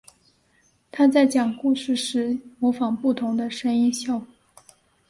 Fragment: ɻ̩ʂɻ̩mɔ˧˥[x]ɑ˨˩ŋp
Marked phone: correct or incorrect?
incorrect: f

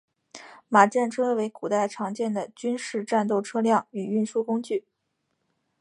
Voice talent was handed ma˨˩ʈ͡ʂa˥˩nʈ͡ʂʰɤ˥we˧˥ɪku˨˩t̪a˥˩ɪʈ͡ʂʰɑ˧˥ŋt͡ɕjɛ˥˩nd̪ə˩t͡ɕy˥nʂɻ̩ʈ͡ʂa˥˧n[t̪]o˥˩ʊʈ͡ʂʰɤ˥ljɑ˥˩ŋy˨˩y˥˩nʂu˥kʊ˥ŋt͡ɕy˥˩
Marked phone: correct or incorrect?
correct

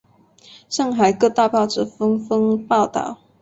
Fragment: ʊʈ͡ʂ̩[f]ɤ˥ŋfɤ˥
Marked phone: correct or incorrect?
correct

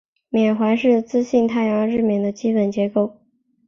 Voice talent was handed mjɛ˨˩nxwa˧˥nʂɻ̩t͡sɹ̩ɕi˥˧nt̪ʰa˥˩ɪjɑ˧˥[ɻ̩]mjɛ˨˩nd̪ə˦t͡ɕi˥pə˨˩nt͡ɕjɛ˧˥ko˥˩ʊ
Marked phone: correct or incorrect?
correct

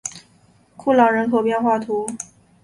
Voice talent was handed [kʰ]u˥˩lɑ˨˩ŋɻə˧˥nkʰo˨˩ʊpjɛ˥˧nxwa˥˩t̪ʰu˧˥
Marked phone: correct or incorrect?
correct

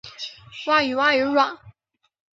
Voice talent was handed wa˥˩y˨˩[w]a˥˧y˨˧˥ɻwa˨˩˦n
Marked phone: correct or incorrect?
correct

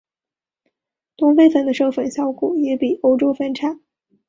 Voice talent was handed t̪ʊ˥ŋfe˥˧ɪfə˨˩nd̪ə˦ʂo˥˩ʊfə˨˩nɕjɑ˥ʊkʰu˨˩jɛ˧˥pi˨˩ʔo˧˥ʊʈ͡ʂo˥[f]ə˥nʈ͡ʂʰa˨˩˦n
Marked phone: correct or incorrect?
correct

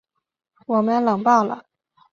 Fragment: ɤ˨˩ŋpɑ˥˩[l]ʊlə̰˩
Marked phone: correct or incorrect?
incorrect: none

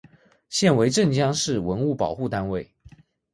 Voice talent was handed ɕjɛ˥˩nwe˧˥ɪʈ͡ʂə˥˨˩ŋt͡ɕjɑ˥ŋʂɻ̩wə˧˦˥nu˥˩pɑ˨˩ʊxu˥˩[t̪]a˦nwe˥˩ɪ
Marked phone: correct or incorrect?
correct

